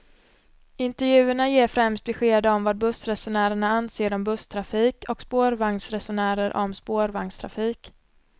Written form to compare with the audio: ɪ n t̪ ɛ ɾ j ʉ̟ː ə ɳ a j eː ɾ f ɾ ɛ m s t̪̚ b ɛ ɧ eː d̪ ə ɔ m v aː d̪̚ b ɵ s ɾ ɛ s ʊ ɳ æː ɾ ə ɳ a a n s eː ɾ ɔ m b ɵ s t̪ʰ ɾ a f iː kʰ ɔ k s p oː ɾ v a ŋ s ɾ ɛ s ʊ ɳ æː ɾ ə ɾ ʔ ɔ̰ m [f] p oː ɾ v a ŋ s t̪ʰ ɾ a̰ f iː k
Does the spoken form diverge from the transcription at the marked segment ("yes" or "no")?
yes